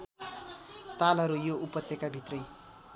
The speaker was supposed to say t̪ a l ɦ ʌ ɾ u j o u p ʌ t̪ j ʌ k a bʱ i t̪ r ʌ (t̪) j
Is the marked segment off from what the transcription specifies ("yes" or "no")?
yes